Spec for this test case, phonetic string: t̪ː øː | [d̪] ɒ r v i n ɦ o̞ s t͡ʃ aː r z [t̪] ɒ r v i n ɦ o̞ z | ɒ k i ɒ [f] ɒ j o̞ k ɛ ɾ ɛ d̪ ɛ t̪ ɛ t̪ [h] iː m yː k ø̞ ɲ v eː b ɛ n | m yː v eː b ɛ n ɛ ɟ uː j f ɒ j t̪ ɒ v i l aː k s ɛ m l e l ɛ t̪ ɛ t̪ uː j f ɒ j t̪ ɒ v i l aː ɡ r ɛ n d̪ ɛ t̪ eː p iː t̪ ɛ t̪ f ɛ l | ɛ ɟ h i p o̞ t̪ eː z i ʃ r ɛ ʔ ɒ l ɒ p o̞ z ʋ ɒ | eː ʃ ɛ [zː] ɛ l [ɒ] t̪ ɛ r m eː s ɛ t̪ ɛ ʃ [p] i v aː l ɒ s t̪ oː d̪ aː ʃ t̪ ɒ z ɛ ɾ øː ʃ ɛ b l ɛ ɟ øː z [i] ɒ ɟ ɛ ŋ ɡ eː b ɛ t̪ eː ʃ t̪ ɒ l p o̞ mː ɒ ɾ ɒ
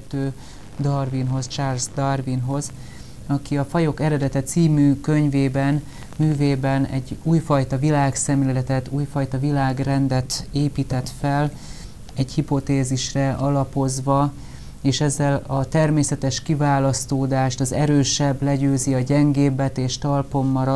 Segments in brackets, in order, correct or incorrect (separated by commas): correct, incorrect, correct, incorrect, correct, correct, incorrect, correct